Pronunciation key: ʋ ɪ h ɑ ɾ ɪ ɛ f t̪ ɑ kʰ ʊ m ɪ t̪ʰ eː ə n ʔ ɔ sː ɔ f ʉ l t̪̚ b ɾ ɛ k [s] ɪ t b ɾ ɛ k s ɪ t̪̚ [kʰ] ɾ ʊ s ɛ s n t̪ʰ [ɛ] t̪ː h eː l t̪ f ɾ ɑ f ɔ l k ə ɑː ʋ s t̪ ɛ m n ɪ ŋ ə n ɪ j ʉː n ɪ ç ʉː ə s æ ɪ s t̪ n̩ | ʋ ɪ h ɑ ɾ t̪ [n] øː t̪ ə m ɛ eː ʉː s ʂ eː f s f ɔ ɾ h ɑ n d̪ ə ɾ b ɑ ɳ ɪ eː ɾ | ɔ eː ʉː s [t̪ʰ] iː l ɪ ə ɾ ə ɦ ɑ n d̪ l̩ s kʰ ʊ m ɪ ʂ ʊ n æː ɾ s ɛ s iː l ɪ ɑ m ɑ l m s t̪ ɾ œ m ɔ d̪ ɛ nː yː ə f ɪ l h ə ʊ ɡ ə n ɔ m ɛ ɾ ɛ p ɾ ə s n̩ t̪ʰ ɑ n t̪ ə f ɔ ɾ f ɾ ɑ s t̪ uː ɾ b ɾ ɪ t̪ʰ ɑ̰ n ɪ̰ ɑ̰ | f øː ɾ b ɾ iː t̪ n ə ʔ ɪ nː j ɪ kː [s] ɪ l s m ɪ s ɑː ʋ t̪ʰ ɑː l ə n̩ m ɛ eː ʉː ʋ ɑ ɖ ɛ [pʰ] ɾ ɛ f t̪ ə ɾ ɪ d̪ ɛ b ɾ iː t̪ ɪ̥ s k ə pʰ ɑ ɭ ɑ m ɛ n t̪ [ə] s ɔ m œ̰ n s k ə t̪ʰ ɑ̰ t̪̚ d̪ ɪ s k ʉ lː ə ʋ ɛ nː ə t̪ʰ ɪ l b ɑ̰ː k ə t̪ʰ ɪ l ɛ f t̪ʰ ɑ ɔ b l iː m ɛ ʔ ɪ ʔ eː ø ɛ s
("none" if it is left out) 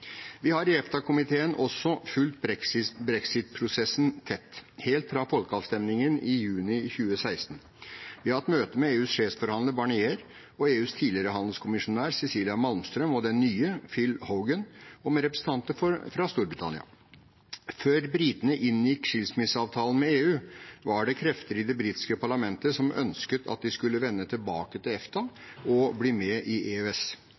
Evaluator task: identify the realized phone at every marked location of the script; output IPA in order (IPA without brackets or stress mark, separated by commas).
s, pʰ, ɛ, m, t̪ʰ, ʂ, kʰ, ə